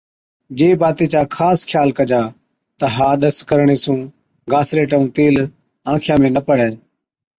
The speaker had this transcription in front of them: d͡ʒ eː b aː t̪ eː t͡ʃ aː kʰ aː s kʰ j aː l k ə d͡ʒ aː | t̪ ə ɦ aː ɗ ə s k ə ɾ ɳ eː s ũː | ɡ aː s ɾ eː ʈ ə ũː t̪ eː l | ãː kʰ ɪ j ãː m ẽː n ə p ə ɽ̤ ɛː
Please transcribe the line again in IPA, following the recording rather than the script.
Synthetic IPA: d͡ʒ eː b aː t̪ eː t͡ʃ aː kʰ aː s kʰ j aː l k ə d͡ʒ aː | t̪ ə ɦ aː ɗ ə s k ə ɾ ɳ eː s ũː | ɡ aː s ɾ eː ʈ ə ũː t̪ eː l | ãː kʰ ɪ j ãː m ẽː n ə p ə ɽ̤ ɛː